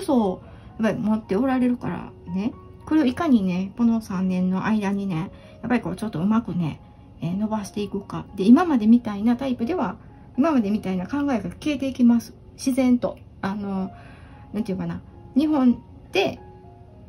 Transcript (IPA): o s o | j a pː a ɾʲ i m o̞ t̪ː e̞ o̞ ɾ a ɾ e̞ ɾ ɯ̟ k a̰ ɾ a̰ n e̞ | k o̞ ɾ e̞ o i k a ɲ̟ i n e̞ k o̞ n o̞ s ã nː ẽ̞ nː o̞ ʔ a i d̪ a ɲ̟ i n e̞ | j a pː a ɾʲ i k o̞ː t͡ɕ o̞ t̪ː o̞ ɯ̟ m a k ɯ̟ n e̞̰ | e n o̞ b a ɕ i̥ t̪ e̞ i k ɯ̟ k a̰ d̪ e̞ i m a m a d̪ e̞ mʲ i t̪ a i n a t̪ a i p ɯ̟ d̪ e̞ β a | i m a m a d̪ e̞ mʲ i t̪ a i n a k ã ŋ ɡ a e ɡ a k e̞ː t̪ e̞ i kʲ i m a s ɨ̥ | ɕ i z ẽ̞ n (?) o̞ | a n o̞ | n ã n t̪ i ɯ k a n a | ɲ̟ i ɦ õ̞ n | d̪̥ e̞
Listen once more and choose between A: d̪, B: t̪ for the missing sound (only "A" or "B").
B